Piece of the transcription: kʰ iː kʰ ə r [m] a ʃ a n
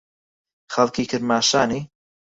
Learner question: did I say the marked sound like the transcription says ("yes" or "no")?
yes